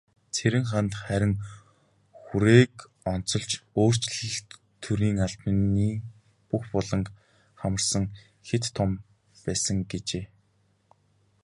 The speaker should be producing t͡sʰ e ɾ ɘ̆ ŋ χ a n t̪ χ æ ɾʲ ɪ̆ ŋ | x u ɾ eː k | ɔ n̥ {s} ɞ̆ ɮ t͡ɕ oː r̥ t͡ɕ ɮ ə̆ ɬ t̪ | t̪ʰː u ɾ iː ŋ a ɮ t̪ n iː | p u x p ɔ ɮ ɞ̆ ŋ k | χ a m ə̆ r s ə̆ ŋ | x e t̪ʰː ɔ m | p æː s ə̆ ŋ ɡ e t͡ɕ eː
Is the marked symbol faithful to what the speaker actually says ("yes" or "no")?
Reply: no